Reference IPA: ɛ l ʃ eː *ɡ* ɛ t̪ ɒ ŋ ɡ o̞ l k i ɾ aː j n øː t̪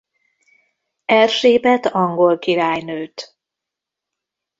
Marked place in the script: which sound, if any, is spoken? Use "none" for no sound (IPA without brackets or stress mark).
b